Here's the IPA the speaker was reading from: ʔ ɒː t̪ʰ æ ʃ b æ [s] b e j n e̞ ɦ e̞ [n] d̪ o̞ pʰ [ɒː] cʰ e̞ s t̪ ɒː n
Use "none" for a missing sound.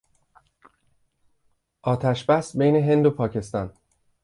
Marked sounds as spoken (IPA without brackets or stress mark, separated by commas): s, n, ɒː